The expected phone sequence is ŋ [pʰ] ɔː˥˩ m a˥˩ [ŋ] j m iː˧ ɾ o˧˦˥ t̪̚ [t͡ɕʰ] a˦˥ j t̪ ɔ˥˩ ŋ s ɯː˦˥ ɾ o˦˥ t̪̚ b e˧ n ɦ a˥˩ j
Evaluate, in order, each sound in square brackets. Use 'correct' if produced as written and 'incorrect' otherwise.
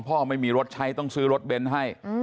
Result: correct, incorrect: none, correct

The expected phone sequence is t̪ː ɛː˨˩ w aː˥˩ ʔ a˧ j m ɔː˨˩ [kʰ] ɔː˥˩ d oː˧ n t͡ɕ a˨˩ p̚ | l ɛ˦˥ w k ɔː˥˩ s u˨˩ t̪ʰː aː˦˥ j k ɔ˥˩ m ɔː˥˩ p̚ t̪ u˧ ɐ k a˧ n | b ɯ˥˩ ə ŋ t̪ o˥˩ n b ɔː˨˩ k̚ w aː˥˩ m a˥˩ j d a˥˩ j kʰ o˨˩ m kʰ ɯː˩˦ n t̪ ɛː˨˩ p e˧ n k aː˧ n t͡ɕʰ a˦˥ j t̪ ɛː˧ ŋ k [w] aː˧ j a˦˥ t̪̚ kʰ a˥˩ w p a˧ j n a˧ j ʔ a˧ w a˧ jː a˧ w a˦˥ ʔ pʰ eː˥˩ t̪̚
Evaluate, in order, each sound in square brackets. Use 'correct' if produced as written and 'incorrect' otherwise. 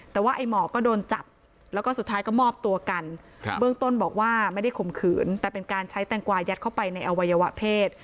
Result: incorrect: k, correct

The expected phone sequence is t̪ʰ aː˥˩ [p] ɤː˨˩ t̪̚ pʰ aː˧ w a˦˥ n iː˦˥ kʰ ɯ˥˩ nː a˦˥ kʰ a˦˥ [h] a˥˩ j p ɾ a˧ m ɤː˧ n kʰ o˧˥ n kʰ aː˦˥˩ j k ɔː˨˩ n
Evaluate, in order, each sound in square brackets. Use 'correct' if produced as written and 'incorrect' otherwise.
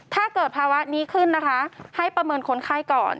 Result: incorrect: k, correct

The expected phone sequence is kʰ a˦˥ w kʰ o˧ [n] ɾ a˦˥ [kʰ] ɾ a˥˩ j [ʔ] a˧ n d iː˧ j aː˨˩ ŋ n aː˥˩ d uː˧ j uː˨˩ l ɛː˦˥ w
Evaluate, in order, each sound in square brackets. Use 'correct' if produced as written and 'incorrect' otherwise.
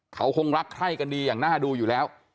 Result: incorrect: ŋ, correct, incorrect: k

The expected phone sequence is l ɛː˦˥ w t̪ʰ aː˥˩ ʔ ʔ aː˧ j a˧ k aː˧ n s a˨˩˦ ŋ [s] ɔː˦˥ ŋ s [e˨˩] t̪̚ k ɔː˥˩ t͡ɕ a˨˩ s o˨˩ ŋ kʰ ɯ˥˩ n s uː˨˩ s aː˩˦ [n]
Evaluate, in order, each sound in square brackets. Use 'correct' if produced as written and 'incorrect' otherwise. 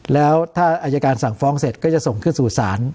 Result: incorrect: f, correct, correct

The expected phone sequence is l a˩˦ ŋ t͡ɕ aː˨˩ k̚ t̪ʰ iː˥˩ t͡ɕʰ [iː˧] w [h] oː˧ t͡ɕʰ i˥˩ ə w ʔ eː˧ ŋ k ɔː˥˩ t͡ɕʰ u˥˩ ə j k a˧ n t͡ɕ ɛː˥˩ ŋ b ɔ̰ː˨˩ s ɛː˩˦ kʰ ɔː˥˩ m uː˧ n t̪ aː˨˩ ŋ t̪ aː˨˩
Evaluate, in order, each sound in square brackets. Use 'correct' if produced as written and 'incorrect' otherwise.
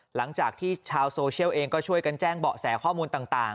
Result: incorrect: aː˧, incorrect: s

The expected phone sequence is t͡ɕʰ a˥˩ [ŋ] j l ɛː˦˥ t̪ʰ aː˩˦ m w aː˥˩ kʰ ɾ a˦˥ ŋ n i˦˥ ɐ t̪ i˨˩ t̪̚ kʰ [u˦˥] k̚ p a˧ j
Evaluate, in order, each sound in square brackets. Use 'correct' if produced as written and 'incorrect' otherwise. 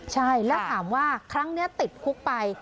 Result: incorrect: none, correct

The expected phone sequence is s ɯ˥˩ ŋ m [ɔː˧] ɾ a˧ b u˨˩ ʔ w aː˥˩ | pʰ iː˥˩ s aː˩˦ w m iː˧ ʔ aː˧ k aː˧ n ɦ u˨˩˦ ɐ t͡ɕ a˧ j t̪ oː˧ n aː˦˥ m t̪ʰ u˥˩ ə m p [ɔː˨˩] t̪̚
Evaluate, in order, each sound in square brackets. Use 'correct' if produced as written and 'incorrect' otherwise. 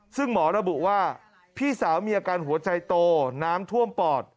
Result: incorrect: ɔː˩˦, correct

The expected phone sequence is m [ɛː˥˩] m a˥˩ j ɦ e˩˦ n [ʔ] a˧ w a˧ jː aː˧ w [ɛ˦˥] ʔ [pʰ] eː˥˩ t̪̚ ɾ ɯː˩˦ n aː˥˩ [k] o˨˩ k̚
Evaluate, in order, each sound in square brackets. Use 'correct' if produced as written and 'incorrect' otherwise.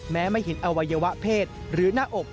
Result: incorrect: ɛː˦˥, correct, incorrect: a˦˥, correct, incorrect: ʔ

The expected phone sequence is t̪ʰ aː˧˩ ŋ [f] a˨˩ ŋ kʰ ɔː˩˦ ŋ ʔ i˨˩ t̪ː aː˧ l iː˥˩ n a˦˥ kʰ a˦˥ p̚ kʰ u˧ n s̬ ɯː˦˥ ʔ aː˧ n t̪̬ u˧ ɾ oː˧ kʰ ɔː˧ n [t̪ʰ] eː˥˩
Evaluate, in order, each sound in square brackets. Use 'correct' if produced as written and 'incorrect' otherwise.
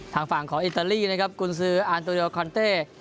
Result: correct, incorrect: t̪

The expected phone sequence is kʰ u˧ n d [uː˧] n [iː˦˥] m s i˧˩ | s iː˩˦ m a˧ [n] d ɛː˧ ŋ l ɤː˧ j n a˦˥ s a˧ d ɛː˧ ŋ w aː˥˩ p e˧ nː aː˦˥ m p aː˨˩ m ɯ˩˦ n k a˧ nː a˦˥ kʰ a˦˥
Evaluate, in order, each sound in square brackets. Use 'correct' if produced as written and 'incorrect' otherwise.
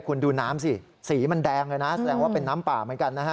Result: correct, incorrect: aː˦˥, correct

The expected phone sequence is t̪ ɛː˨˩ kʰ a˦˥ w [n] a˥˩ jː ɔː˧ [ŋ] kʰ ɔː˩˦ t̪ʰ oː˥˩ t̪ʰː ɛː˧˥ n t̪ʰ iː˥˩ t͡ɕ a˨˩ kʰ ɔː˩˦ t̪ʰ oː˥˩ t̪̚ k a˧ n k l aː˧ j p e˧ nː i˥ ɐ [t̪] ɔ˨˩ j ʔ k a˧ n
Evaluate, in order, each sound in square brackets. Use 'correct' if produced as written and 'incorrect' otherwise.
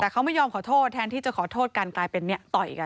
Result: incorrect: m, incorrect: m, correct

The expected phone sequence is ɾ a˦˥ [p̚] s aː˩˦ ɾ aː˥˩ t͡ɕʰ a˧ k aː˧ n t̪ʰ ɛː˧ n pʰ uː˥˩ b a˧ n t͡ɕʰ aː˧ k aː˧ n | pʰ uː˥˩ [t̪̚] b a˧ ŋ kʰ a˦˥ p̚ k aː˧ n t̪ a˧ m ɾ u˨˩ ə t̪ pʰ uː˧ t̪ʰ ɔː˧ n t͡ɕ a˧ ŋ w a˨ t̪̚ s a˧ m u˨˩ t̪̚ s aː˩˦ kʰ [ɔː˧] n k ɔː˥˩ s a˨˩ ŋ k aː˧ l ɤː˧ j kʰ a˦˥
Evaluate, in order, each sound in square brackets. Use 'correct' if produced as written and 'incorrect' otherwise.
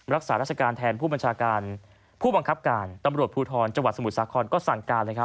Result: incorrect: k̚, incorrect: none, correct

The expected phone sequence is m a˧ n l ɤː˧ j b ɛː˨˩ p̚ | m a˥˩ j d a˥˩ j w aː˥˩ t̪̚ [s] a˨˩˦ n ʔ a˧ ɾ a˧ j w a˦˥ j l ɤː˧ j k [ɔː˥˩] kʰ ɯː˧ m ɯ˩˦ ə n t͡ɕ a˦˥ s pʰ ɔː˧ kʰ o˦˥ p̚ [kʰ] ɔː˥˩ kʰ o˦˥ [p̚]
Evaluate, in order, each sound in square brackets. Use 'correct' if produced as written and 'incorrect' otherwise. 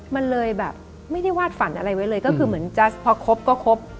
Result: incorrect: f, incorrect: ɔ˥˩, incorrect: k, correct

